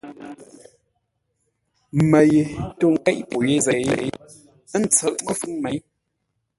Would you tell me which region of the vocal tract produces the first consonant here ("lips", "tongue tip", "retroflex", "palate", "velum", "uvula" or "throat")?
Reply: lips